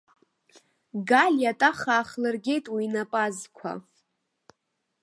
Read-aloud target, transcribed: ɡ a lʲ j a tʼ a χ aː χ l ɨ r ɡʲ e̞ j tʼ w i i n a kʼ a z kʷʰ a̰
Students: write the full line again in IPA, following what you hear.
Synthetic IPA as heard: ɡ a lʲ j a tʼ a χ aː χ l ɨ r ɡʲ e̞ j tʼ w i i n a pʼ a z kʷʰ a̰